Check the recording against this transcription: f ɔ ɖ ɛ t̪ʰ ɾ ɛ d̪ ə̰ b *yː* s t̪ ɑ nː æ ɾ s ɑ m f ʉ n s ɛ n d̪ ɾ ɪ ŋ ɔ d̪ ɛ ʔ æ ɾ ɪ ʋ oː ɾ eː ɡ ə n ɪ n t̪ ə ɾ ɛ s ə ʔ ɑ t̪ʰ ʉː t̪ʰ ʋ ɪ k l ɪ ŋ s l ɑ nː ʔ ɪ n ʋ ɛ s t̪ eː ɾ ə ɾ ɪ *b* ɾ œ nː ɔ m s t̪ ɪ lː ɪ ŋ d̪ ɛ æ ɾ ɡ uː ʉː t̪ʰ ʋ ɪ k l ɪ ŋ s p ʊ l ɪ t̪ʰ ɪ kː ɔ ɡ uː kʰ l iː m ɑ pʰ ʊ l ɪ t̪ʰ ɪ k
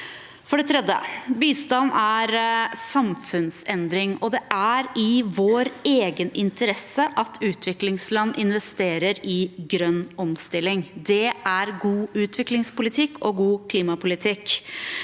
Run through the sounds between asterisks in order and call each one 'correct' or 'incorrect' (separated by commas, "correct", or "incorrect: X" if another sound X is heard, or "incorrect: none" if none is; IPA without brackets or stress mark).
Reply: incorrect: iː, incorrect: ɡ